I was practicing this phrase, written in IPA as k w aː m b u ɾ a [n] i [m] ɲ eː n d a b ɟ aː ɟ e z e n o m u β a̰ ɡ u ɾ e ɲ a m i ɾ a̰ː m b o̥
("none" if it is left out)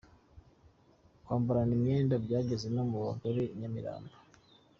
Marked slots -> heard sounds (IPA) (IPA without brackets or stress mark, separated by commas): n, m